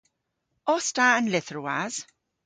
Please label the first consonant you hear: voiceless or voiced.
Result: voiceless